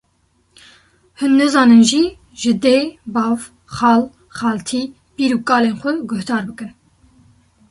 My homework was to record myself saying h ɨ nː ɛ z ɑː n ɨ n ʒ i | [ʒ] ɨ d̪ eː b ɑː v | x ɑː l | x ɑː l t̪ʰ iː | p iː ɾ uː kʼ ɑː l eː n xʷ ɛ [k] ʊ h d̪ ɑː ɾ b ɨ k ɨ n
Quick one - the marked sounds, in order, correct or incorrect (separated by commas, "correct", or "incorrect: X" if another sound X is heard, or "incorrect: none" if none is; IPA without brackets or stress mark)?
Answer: correct, incorrect: ɡ